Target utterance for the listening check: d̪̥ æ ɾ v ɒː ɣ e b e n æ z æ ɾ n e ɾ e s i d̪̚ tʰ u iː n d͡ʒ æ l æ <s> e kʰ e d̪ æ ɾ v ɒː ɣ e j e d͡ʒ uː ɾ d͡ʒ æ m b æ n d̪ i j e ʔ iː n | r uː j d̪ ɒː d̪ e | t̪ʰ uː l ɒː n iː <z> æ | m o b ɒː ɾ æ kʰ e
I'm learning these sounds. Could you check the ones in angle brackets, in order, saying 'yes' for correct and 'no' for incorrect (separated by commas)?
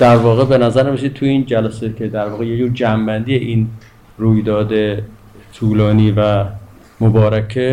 yes, no